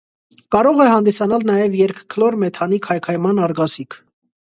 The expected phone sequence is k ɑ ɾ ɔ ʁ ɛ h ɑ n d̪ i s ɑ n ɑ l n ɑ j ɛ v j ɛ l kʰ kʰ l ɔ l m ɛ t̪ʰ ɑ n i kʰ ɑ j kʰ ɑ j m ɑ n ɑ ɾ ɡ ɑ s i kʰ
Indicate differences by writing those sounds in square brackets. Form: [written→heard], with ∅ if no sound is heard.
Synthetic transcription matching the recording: k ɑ ɾ ɔ ʁ ɛ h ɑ n d̪ i s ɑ n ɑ l n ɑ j ɛ v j ɛ [l→ɾ] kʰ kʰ l ɔ [l→ɾ] m ɛ t̪ʰ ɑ n i kʰ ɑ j kʰ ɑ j m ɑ n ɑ ɾ ɡ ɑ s i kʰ